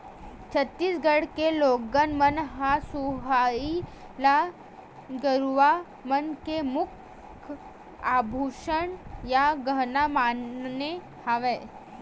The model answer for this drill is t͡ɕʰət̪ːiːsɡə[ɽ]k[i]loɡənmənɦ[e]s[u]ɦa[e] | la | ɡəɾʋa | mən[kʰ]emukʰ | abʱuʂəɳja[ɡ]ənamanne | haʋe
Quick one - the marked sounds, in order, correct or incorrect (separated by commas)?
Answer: correct, incorrect, incorrect, correct, incorrect, incorrect, correct